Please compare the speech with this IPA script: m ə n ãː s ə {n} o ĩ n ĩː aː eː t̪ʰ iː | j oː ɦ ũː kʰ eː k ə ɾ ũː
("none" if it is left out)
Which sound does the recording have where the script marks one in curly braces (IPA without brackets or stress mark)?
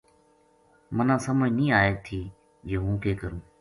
m